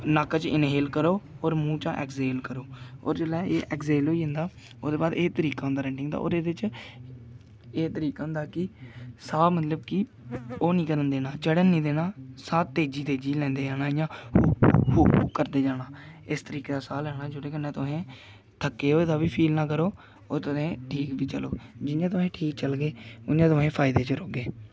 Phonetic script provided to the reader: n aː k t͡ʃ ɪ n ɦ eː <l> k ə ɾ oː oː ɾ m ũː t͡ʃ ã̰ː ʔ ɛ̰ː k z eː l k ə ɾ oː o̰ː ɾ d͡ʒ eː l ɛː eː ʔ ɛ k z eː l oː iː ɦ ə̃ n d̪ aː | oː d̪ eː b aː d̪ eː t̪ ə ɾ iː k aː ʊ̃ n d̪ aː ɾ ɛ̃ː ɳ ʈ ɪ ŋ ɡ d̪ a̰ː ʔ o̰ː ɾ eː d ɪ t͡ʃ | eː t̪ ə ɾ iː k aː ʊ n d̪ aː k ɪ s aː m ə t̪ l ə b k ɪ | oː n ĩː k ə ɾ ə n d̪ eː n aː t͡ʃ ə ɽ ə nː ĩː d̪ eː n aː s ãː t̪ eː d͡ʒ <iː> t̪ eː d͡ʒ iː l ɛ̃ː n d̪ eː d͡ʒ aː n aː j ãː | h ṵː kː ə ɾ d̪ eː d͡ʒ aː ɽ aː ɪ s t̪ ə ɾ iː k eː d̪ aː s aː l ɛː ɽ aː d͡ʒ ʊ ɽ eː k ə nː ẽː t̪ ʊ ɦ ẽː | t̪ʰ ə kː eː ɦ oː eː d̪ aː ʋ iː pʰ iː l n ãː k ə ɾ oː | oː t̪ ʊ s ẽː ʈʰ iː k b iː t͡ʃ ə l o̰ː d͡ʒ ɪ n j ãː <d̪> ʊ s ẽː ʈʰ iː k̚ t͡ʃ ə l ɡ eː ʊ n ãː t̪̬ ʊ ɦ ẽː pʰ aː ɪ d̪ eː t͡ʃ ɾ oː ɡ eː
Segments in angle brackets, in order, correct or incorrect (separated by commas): correct, correct, incorrect